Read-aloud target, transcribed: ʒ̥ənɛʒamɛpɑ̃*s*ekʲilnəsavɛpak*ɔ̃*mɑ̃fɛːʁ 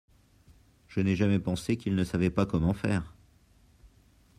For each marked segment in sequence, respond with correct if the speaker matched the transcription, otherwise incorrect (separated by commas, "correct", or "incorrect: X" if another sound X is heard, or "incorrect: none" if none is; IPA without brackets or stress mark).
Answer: correct, incorrect: ɔ